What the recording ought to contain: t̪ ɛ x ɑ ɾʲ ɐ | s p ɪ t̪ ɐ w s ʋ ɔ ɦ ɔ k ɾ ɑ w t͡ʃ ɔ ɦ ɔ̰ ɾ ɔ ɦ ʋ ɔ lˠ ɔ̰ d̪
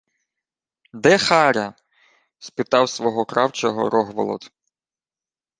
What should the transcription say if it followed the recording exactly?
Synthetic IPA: d̪ ɛ x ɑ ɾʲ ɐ | s p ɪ t̪ ɑ w s ʋ ɔ ɦ ɔ k ɾ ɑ w t͡ʃ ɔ ɦ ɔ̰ ɾ ɔ ɦ ʋ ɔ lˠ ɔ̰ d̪